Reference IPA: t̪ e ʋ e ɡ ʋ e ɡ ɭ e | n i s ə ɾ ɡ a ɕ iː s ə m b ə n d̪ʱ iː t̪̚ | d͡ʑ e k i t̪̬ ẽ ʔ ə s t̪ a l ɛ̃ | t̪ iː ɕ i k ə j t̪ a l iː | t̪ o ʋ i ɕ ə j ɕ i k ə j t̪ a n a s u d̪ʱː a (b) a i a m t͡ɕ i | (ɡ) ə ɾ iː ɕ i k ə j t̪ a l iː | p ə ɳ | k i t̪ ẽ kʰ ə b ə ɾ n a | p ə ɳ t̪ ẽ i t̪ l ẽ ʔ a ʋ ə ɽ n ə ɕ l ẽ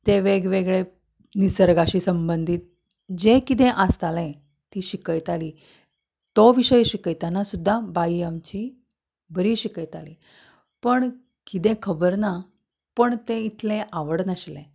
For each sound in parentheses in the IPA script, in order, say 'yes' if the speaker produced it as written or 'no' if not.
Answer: yes, no

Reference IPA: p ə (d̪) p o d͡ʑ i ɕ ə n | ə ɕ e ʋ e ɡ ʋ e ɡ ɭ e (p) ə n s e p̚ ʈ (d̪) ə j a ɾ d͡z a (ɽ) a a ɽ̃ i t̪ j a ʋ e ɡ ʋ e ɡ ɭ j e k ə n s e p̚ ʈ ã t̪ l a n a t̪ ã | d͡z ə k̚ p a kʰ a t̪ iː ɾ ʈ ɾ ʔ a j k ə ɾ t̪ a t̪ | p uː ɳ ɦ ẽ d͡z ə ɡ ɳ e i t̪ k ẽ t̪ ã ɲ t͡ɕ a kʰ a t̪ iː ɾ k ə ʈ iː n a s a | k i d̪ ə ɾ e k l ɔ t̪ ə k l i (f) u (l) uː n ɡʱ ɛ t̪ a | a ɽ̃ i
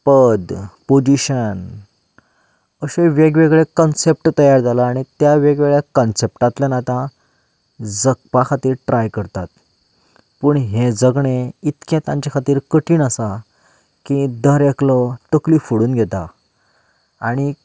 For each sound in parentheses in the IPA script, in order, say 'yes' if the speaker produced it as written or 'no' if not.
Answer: yes, no, no, no, yes, no

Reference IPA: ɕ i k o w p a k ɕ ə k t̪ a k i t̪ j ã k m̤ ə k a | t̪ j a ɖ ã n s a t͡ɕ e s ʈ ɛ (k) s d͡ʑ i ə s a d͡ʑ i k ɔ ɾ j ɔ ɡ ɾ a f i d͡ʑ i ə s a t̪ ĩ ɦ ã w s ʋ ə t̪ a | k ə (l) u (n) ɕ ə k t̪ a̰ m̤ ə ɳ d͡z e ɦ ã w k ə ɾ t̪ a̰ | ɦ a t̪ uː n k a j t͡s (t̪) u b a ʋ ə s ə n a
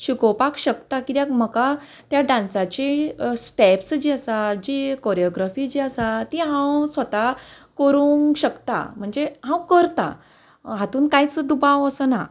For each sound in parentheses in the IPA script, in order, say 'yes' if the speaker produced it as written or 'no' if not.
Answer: no, no, no, no

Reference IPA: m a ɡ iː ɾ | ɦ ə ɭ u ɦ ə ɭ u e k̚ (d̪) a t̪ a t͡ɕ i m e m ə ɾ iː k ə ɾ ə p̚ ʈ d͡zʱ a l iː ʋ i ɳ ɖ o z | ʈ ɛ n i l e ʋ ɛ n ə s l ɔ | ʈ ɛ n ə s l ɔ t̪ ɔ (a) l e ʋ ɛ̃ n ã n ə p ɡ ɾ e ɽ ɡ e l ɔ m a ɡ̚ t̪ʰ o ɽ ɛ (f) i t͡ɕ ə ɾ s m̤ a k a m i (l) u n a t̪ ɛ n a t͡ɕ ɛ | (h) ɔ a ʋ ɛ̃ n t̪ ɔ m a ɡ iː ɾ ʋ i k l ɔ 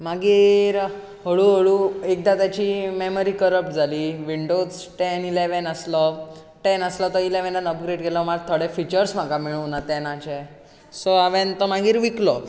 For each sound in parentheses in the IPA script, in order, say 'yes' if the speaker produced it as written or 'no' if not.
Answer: yes, no, yes, no, no

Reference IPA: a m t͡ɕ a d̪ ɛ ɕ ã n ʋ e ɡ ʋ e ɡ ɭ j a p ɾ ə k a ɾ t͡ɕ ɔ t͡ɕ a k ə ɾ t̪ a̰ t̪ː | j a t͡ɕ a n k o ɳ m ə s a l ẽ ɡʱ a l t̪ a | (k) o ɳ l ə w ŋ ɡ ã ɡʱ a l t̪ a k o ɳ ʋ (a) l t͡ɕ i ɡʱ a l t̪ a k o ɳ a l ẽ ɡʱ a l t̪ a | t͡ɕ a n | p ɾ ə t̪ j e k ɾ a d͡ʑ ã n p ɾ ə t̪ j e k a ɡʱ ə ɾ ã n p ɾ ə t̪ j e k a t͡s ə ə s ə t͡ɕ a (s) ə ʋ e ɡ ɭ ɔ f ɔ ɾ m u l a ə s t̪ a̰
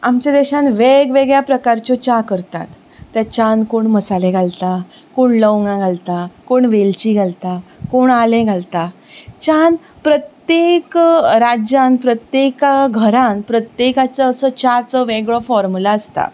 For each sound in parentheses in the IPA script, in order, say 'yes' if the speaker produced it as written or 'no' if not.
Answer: yes, no, no

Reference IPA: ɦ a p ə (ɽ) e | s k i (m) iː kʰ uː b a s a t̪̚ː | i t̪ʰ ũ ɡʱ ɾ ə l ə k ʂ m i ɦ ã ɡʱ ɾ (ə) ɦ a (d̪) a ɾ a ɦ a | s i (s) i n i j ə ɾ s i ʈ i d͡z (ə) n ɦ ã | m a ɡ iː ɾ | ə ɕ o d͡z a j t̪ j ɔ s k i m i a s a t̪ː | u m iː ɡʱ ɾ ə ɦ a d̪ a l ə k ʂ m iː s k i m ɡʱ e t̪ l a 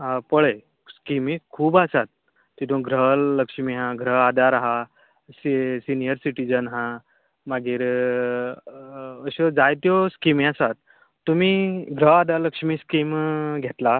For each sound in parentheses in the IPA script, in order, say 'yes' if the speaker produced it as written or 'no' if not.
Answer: no, yes, yes, yes, yes, yes

